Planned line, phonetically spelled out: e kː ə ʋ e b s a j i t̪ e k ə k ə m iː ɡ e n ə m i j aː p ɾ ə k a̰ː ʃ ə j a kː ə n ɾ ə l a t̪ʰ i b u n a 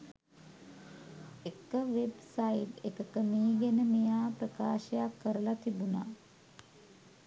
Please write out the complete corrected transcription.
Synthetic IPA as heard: e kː ə ʋ e b s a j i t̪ e k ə k ə m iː ɡ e n ə m i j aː p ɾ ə k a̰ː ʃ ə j a kː ə ɾ ə l a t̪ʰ i b u n a